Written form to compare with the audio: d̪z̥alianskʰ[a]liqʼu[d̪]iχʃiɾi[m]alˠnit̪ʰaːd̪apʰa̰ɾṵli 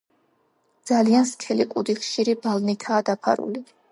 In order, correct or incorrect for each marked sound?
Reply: incorrect: ɛ, correct, incorrect: b

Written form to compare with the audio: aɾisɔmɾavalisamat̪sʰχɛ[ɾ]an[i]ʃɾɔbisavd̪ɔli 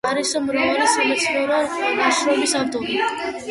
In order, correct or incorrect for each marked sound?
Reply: correct, incorrect: a

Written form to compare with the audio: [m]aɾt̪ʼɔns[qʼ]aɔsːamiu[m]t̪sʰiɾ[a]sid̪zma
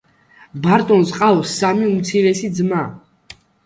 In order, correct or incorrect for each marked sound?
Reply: incorrect: b, correct, correct, incorrect: ɛ

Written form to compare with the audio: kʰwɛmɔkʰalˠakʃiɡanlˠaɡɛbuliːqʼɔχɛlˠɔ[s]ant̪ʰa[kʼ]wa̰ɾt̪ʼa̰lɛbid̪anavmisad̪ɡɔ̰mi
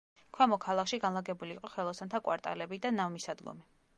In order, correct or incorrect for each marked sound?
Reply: correct, correct

